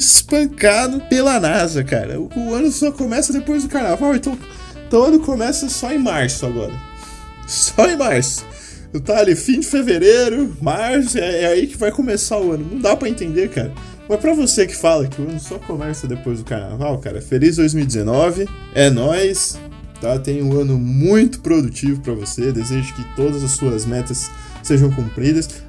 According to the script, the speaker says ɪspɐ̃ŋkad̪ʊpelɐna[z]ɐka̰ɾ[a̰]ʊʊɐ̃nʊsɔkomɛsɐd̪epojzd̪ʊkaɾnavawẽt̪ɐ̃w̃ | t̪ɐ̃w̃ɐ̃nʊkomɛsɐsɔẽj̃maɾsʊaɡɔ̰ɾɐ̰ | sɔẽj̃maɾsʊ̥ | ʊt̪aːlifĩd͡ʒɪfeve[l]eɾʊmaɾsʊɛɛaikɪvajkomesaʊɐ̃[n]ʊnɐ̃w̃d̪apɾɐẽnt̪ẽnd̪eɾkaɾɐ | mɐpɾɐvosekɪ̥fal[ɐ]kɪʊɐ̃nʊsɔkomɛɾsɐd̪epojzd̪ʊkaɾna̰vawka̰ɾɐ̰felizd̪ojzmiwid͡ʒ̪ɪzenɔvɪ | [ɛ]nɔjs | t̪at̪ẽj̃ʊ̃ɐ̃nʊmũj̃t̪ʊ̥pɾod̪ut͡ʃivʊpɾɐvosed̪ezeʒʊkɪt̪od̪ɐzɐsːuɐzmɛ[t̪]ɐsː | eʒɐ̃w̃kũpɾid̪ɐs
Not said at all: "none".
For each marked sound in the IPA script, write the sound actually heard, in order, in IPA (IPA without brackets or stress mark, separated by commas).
z, ɐ̰, ɾ, n, ɐ, ɛ, t̪